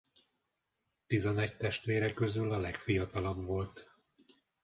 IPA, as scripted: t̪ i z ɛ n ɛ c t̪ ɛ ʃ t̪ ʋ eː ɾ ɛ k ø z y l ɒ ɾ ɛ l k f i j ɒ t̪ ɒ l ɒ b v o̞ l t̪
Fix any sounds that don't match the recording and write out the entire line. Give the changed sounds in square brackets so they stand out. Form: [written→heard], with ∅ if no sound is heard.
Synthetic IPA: t̪ i z ɛ n ɛ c t̪ ɛ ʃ t̪ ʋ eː ɾ ɛ k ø z y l ɒ [ɾ→l] ɛ [l→∅] k f i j ɒ t̪ ɒ l ɒ b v o̞ l t̪